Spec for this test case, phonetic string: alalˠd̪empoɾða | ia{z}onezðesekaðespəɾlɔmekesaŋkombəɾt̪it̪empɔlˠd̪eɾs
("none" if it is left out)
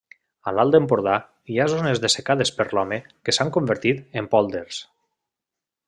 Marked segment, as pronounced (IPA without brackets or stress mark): z